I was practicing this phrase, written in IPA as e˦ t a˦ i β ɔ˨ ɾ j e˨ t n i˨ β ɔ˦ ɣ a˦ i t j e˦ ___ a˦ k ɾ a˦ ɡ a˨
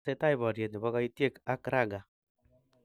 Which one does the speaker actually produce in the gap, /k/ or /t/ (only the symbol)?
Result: k